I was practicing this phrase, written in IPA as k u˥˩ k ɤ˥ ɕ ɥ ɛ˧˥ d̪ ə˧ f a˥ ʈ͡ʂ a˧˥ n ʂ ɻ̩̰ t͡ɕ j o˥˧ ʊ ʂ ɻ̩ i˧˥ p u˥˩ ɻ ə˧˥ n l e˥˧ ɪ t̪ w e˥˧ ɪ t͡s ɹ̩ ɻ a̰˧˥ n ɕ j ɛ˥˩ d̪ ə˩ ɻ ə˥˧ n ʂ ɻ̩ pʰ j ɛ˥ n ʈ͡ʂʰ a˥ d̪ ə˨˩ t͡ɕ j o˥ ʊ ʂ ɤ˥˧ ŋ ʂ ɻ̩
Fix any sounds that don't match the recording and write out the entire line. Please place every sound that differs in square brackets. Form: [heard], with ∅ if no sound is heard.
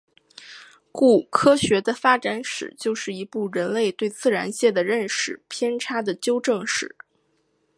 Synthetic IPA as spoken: k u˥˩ [kʰ] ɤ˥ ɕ ɥ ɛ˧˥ d̪ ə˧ f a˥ ʈ͡ʂ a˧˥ n ʂ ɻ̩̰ t͡ɕ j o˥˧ ʊ ʂ ɻ̩ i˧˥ p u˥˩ ɻ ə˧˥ n l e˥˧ ɪ t̪ w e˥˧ ɪ t͡s ɹ̩ ɻ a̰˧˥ n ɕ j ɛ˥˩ d̪ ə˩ ɻ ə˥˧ n ʂ ɻ̩ pʰ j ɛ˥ n ʈ͡ʂʰ a˥ d̪ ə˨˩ t͡ɕ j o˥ ʊ [ʈ͡ʂ] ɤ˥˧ ŋ ʂ ɻ̩